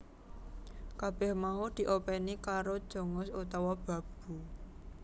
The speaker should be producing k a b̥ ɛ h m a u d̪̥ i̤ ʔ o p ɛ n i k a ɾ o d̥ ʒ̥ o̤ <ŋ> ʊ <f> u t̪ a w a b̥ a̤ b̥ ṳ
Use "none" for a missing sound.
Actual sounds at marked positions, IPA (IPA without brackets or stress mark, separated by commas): ŋ, s